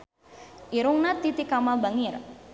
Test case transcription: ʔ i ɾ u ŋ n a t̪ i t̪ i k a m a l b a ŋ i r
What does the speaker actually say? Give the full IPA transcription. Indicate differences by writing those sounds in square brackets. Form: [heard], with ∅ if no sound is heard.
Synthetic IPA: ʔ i ɾ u ŋ n a t̪ i t̪ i k a m a l b a ŋ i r